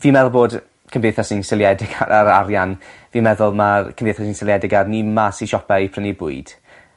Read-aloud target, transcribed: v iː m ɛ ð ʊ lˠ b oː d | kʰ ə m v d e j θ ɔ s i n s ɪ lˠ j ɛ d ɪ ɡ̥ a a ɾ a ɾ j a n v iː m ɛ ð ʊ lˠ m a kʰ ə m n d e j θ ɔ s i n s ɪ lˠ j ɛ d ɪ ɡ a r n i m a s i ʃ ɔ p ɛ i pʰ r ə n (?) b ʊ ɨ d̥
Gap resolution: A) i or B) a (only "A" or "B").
A